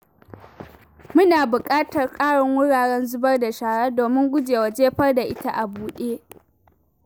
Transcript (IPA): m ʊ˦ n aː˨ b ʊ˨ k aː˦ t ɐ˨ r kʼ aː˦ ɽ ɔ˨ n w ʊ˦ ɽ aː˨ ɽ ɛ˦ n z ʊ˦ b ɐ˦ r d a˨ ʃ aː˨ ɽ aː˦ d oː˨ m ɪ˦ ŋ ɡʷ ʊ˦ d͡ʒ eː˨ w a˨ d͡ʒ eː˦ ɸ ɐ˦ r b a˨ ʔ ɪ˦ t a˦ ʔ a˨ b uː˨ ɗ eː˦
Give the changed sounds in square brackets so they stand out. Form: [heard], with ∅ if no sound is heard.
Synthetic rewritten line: m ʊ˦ n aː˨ b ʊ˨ [kʼ] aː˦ t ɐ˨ r kʼ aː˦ ɽ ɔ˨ [ŋ] w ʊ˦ ɽ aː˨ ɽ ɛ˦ n z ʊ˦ b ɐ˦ r d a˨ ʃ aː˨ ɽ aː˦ d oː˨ m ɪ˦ ŋ ɡʷ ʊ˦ d͡ʒ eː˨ w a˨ d͡ʒ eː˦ ɸ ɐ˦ r [d] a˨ ʔ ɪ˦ t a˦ ʔ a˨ b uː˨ ɗ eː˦

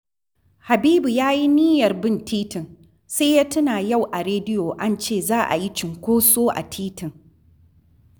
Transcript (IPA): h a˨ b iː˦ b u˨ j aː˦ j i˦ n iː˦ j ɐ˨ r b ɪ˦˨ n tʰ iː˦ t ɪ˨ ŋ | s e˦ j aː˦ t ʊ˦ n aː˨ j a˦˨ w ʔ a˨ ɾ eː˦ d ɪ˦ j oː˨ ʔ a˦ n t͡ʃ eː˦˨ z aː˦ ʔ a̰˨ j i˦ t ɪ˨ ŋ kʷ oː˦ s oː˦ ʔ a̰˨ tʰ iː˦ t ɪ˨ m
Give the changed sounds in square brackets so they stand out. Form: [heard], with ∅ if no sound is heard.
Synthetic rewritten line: h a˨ b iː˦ b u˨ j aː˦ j i˦ n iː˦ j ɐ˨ r b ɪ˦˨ n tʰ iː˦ t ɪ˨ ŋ | s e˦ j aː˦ t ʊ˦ n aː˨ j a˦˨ w ʔ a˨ ɾ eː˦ d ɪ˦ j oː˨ ʔ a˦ n t͡ʃ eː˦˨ z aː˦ ʔ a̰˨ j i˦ [t͡ʃ] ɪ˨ ŋ kʷ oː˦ s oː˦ ʔ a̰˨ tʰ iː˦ t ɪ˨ [ŋ]

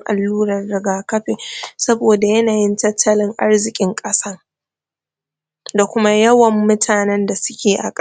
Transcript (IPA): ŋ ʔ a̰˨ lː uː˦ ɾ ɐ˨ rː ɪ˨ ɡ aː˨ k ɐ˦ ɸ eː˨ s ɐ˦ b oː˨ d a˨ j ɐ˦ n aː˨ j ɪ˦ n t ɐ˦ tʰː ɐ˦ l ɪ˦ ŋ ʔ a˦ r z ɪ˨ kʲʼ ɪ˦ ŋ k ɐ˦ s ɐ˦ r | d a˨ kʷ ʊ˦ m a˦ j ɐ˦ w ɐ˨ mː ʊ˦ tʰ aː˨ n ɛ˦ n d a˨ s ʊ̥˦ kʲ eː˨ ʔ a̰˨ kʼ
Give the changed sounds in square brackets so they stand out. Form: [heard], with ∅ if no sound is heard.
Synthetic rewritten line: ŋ ʔ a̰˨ lː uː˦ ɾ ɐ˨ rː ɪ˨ ɡ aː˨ k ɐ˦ ɸ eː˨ s ɐ˦ b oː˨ d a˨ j ɐ˦ n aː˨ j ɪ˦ n t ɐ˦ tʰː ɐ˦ l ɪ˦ ŋ ʔ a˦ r z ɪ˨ kʲʼ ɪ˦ ŋ [kʼ] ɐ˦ s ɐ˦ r | d a˨ kʷ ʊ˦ m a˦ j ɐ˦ w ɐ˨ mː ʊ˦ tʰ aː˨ n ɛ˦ n d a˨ s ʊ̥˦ kʲ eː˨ ʔ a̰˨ kʼ

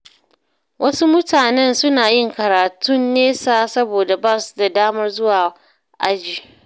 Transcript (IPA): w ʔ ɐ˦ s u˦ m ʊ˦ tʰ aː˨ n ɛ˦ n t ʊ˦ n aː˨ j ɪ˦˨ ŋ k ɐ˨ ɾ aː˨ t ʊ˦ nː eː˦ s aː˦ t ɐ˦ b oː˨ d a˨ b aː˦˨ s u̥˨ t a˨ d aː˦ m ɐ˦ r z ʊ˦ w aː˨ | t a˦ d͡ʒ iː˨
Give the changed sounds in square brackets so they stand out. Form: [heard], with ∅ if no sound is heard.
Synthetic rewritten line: w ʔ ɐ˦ s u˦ m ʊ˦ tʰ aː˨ n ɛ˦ n [s] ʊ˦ n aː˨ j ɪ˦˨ ŋ k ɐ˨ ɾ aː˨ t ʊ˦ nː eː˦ s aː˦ [s] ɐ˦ b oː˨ d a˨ b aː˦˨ s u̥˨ [d] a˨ d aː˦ m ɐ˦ r z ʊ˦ w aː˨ | [ʔ] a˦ d͡ʒ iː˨

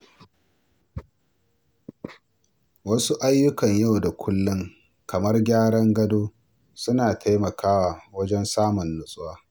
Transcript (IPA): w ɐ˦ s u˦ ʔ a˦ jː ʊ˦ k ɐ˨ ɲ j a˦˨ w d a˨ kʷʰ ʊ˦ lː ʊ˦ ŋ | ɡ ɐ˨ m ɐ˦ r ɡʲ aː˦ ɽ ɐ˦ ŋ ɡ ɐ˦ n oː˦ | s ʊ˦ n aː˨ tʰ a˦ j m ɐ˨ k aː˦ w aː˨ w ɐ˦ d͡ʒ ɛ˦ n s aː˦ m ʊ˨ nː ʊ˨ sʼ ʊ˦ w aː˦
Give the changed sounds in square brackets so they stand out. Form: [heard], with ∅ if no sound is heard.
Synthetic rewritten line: w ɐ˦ s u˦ ʔ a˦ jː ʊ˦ k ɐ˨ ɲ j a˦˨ w d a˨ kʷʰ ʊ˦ lː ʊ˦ ŋ | [k] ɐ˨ m ɐ˦ r ɡʲ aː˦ ɽ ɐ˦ ŋ ɡ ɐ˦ [d] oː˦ | s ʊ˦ n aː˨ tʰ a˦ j m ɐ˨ k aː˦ w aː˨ w ɐ˦ d͡ʒ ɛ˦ n s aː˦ m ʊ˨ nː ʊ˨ sʼ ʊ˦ w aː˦

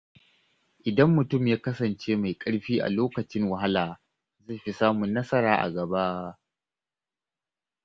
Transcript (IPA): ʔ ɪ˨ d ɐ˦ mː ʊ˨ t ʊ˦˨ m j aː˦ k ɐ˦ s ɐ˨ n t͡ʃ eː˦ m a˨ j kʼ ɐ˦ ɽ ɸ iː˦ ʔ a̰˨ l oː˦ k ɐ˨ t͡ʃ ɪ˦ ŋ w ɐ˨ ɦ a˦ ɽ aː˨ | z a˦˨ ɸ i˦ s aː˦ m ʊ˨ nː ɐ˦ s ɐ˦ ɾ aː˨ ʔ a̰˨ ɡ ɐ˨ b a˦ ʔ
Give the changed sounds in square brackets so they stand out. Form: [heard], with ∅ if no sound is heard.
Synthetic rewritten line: ʔ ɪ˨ d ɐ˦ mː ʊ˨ t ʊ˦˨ m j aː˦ k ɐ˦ s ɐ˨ n t͡ʃ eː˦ m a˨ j kʼ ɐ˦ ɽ ɸ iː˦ ʔ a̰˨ l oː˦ k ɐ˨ t͡ʃ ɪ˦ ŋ w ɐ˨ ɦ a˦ [l] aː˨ | z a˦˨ ɸ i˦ s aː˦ m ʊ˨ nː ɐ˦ s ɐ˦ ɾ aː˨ ʔ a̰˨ ɡ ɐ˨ b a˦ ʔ

